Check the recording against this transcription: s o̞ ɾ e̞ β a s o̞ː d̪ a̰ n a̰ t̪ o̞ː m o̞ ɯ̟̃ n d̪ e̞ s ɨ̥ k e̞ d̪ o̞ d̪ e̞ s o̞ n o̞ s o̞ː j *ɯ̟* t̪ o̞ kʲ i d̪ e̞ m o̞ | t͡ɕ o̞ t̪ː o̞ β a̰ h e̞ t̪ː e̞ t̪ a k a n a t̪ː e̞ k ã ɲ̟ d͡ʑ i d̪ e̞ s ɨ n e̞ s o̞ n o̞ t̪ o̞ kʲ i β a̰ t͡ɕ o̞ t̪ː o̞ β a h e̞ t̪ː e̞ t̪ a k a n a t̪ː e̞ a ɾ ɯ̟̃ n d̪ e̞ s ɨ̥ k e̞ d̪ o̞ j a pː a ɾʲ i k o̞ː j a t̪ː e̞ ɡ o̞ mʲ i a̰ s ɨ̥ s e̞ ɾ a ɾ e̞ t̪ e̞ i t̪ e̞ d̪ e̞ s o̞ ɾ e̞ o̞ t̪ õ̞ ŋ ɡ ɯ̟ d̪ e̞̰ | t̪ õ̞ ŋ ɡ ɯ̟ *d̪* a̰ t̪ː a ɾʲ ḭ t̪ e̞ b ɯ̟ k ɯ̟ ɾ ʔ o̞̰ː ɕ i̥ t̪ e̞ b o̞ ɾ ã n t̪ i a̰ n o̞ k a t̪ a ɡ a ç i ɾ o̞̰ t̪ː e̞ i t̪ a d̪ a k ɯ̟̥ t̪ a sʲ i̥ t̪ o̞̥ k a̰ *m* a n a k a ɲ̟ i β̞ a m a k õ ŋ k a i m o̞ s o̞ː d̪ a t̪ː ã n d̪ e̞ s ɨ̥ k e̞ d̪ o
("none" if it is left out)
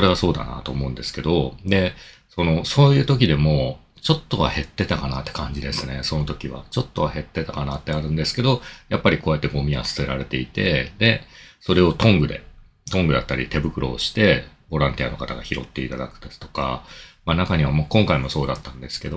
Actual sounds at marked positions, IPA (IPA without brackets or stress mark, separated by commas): ɯ̟ː, d̪, m